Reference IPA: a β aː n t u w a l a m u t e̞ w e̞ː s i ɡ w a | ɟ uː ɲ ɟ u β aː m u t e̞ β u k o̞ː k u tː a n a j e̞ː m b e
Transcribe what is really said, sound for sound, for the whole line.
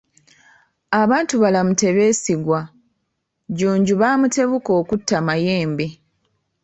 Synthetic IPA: a β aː n t u β a l a m u t e̞ β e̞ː s i ɡ w a | ɟ uː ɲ ɟ u β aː m u t e̞ β u k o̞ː k u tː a m a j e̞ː m b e